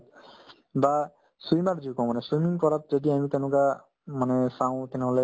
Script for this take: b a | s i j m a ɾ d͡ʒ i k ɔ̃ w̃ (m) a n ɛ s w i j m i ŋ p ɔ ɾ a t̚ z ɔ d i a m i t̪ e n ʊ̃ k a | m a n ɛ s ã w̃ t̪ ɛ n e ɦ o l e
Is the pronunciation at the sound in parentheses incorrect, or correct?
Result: correct